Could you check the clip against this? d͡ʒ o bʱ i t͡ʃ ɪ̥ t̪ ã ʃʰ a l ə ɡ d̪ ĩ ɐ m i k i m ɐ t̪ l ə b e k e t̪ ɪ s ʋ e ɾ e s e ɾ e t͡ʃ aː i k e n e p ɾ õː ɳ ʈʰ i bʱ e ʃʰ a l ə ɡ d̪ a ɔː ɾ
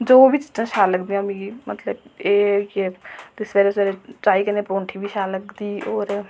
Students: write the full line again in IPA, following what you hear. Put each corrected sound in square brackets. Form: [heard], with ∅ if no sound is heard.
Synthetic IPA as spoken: d͡ʒ o bʱ i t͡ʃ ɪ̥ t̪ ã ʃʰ a l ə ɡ d̪ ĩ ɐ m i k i m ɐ t̪ l ə b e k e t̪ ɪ s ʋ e ɾ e s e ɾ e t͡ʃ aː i k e n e p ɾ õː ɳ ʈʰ i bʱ [i] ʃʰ a l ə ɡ d̪ [i] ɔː ɾ